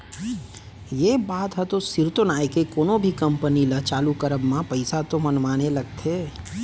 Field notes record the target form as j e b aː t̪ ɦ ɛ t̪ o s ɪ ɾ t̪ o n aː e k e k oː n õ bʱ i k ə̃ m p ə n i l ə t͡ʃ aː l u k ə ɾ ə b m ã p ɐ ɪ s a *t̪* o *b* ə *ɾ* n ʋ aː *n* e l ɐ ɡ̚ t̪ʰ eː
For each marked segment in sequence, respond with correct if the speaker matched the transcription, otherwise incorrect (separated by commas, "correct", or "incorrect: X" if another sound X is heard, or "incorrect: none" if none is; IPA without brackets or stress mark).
correct, incorrect: m, incorrect: none, correct